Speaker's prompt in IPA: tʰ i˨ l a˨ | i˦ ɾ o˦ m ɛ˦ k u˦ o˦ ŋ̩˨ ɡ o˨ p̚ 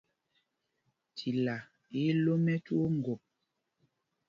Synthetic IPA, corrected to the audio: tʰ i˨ l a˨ | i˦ l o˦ m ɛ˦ t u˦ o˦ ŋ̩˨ ɡ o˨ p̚